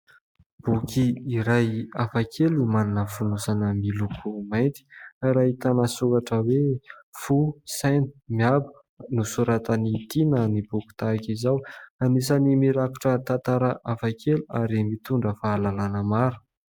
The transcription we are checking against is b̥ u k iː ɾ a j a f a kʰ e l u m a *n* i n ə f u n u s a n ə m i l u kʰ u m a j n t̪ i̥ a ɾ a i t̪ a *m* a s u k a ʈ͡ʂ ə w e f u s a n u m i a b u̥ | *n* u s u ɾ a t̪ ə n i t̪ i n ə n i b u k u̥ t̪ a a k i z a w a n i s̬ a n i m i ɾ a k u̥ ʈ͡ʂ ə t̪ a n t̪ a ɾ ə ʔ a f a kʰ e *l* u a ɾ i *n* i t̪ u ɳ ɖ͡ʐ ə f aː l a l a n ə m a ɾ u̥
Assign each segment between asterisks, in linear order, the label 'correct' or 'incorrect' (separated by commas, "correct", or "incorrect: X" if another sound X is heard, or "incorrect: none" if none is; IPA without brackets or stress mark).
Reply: correct, incorrect: n, correct, correct, incorrect: m